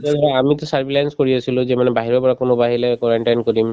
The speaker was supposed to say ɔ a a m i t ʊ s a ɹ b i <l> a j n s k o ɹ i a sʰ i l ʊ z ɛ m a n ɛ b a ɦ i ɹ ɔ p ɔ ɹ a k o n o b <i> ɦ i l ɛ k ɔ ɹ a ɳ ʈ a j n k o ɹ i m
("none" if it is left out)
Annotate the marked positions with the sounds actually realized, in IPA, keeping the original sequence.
l, a

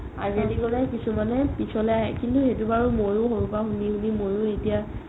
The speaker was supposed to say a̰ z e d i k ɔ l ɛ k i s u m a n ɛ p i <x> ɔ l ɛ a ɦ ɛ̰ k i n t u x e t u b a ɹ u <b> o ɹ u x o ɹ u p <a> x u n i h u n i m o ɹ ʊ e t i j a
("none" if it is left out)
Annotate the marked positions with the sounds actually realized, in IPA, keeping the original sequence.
s, m, a

